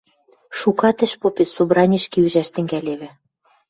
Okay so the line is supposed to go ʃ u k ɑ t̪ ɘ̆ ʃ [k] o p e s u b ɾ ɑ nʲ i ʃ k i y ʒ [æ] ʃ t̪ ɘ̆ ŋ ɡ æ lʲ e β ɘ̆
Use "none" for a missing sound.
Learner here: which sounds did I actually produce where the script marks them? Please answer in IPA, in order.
p, æ

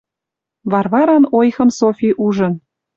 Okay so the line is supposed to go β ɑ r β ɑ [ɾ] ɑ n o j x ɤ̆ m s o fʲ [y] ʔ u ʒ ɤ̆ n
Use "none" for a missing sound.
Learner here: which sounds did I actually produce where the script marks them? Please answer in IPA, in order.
ɾ, i

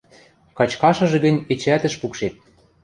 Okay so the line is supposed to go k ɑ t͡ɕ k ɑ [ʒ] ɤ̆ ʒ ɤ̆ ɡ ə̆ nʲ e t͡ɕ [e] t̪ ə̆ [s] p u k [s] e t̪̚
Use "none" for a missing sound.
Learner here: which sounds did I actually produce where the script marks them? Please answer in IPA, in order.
ʃ, æ, ʃ, ʃ

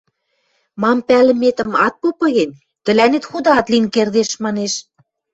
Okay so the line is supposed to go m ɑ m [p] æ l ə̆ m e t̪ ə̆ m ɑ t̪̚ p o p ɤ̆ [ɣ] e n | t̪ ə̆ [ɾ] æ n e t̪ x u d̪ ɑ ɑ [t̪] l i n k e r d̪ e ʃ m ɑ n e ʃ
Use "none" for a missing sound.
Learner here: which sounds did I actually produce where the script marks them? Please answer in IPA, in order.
p, ɣ, l, t̪

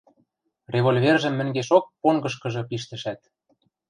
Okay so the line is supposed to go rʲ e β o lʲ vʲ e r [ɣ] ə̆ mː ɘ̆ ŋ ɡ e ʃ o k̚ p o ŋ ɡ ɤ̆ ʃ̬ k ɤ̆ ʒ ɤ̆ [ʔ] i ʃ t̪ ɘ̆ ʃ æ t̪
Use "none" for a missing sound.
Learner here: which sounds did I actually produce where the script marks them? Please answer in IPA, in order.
ʒ, p

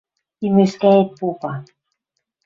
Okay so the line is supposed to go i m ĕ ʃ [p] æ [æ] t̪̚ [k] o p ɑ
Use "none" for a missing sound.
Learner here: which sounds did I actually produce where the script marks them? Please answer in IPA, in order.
k, e, p

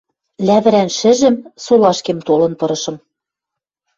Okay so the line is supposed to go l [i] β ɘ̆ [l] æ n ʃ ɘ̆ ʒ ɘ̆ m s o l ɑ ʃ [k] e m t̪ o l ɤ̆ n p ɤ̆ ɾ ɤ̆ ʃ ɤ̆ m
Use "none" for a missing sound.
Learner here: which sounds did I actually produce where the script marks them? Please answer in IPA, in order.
æ, ɾ, k

